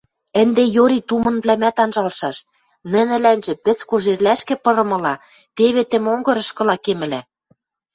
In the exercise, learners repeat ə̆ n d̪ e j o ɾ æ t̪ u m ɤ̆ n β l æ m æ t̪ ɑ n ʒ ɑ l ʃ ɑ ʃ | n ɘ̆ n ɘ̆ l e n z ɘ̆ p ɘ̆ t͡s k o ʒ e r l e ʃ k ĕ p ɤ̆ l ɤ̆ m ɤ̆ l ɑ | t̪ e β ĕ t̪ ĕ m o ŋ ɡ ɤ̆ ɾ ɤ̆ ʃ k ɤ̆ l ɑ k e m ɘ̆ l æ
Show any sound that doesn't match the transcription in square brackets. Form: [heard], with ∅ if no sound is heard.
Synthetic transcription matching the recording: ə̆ n d̪ e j o ɾ [i] t̪ u m ɤ̆ n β l æ m æ t̪ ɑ n ʒ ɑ l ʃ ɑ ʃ | n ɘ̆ n ɘ̆ l [æ] n [ʒ] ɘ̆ p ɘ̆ t͡s k o ʒ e r l [æ] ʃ k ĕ p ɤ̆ [ɾ] ɤ̆ m ɤ̆ l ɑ | t̪ e β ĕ t̪ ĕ m o ŋ ɡ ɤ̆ ɾ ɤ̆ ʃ k ɤ̆ l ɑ k e m ɘ̆ l æ